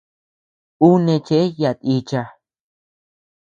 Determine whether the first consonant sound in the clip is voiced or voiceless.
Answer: voiced